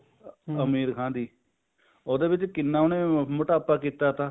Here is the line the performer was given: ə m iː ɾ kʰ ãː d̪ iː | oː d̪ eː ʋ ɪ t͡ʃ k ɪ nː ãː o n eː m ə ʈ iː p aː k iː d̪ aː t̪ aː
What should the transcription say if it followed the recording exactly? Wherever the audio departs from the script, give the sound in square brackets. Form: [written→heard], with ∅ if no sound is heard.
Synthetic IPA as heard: ə m iː ɾ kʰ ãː d̪ iː | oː d̪ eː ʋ ɪ t͡ʃ k ɪ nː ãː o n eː m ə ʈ [iː→aː] p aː k iː [d̪→t̪] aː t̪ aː

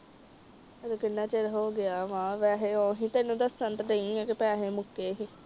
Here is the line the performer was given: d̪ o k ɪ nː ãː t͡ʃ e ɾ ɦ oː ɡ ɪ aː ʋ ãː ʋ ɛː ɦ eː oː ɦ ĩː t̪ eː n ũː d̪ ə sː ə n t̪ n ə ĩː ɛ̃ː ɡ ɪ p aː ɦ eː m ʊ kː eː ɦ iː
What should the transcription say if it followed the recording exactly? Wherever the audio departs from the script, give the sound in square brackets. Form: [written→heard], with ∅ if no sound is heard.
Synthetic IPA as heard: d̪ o k ɪ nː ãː t͡ʃ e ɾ ɦ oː ɡ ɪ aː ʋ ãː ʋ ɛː ɦ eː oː ɦ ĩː t̪ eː n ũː d̪ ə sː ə n t̪ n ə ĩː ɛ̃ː [ɡ→k] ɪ p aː ɦ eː m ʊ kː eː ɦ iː

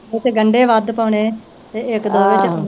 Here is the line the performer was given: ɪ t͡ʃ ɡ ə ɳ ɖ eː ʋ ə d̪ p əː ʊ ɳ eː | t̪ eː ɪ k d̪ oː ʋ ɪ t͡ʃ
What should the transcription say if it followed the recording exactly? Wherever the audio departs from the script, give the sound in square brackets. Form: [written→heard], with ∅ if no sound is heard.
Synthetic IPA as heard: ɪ t͡ʃ ɡ ə ɳ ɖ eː ʋ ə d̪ p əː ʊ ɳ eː | t̪ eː ɪ k d̪ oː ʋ ɪ t͡ʃ

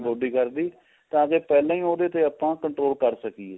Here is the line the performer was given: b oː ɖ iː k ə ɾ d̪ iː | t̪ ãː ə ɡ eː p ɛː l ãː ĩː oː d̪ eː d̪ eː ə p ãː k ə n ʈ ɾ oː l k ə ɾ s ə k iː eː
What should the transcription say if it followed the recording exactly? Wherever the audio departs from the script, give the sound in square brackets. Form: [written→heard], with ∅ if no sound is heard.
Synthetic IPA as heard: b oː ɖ iː k ə ɾ d̪ iː | t̪ ãː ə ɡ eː p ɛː l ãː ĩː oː d̪ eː [d̪→t̪] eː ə p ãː k ə [n→ɳ] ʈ ɾ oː l k ə ɾ s ə k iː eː

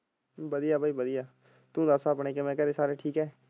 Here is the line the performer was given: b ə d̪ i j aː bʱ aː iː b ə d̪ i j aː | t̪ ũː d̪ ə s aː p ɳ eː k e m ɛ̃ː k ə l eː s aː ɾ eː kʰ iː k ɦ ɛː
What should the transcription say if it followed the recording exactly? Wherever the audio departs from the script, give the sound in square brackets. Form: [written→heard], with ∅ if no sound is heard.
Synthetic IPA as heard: b ə d̪ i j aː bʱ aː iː b ə d̪ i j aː | t̪ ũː d̪ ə s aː p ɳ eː k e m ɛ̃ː k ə [l→ɾ] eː s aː ɾ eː [kʰ→ʈʰ] iː k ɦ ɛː

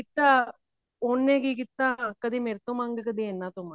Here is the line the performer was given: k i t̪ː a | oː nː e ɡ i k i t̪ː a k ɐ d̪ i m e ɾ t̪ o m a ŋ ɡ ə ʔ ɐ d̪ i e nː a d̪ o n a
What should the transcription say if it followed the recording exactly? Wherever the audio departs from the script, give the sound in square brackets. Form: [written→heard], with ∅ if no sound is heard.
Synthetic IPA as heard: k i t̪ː a | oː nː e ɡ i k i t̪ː a k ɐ d̪ i m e ɾ t̪ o m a ŋ ɡ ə [ʔ→k] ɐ d̪ i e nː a [d̪→t̪] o [n→m] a

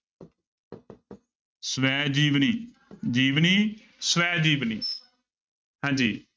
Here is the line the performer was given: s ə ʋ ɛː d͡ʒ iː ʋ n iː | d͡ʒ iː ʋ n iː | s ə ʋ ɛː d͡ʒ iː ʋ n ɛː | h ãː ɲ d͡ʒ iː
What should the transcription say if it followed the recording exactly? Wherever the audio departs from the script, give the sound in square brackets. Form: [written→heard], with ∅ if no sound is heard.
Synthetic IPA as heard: s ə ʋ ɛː d͡ʒ iː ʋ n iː | d͡ʒ iː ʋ n iː | s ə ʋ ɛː d͡ʒ iː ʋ n [ɛː→iː] | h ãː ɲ d͡ʒ iː

